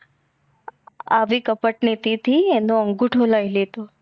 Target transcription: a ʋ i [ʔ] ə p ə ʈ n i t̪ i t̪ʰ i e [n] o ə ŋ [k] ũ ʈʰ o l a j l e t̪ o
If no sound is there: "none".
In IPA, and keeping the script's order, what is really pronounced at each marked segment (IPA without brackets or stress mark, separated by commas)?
k, n, ɡ